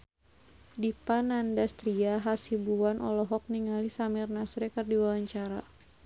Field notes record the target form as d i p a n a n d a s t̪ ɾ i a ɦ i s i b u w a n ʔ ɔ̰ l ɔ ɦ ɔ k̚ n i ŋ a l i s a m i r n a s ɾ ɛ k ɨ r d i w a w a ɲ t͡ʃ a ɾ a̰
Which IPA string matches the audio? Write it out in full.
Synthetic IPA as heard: d i p a n a n d a s t̪ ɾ i a ɦ a s i b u w a n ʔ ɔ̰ l ɔ ɦ ɔ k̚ n i ŋ a l i s a m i r n a s ɾ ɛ k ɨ r d i w a w a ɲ t͡ʃ a ɾ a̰